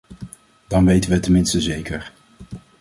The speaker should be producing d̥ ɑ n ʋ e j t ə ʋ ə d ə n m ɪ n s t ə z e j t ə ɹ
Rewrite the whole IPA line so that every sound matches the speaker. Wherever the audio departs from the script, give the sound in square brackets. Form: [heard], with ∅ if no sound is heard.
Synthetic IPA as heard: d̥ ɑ n ʋ e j t ə ʋ ə [t] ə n m ɪ n s t ə z e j [k] ə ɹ